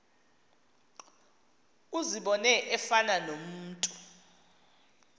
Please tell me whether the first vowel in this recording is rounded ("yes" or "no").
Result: yes